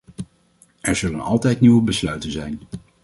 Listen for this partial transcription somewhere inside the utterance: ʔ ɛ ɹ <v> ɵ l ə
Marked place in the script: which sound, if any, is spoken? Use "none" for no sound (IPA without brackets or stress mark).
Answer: z